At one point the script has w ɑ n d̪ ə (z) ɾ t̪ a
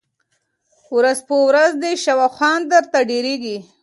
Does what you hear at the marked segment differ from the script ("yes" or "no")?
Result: yes